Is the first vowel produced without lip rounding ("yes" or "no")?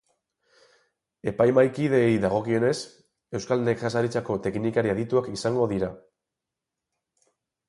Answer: yes